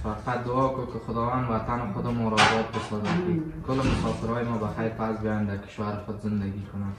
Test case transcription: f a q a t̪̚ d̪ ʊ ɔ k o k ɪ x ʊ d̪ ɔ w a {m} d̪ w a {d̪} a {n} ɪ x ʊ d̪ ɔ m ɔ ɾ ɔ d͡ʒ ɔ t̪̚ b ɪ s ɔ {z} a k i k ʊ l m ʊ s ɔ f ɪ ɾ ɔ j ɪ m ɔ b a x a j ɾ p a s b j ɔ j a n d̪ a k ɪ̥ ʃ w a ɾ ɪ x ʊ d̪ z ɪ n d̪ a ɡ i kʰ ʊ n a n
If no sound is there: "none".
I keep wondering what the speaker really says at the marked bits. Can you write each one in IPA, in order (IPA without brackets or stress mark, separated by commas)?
n, t̪, n, z